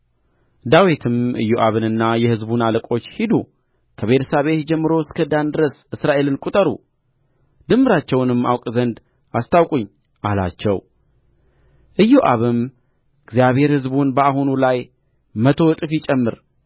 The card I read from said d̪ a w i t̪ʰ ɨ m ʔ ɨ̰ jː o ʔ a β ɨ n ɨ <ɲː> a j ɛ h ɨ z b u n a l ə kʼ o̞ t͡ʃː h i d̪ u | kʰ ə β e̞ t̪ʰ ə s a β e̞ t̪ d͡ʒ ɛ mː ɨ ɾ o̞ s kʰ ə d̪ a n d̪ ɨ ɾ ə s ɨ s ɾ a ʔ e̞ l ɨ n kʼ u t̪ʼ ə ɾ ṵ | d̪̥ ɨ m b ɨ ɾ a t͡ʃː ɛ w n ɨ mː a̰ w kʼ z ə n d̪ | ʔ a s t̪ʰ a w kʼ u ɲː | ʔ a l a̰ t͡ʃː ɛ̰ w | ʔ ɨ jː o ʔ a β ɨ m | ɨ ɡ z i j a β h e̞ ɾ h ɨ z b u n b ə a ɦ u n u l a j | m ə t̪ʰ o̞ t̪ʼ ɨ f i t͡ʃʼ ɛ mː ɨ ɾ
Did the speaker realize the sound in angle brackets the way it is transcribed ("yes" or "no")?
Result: no